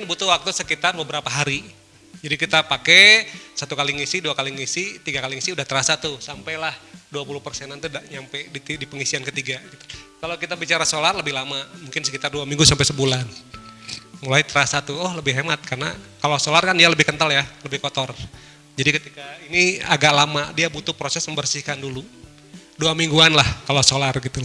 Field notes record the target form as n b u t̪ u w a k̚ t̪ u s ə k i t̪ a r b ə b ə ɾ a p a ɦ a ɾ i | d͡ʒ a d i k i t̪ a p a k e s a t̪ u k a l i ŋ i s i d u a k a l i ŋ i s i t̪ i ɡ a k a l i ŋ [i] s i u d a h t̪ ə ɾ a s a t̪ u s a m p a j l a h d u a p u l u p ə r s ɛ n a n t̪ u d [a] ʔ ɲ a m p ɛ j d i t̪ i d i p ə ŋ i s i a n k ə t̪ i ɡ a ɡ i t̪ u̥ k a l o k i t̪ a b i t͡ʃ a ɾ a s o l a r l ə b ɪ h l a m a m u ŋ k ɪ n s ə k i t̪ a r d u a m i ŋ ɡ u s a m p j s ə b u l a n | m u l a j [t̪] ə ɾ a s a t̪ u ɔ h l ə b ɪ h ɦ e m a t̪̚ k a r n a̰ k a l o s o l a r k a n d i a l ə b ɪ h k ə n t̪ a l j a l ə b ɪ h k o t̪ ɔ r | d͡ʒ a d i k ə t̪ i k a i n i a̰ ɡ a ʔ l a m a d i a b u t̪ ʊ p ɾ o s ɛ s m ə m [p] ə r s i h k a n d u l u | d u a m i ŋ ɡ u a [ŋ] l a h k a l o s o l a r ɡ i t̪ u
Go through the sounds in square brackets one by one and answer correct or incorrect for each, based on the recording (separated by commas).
correct, correct, correct, incorrect, incorrect